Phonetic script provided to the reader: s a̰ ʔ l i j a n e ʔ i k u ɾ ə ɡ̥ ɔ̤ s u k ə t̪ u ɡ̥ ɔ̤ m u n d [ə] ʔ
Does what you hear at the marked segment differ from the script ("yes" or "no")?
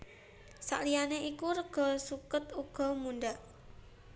yes